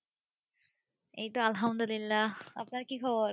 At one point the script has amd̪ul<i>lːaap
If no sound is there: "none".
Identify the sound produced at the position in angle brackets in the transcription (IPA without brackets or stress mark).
i